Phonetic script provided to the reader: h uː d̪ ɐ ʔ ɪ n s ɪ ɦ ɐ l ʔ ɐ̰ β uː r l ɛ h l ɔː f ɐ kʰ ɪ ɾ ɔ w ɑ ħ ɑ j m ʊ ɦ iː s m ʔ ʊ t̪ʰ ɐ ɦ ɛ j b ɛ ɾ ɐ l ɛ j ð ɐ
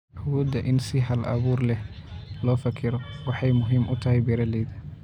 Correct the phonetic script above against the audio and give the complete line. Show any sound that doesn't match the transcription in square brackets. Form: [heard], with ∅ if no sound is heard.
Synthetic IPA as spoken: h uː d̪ ɐ ʔ ɪ n s ɪ ɦ ɐ l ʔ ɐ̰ β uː r l ɛ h l ɔː f ɐ kʰ ɪ ɾ ɔ w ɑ ħ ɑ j m ʊ ɦ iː [∅] m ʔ ʊ t̪ʰ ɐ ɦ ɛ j b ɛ ɾ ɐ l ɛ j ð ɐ